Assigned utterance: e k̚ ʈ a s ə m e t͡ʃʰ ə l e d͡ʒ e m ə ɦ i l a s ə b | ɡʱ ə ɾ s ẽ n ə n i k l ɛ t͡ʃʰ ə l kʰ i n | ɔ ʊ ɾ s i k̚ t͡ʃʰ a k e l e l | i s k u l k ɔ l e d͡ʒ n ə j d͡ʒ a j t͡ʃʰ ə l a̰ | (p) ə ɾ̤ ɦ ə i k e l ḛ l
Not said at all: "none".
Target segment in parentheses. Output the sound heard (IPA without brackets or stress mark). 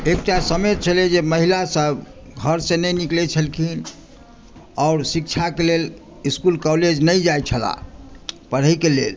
p